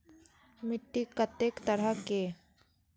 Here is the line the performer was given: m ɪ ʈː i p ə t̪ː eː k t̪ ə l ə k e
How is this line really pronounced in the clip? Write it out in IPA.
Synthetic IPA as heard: m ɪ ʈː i k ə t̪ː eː k t̪ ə ɾ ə k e